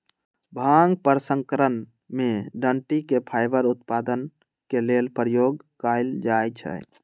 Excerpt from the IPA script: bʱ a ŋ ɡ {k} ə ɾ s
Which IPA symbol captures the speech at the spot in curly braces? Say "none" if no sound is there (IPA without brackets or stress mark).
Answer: p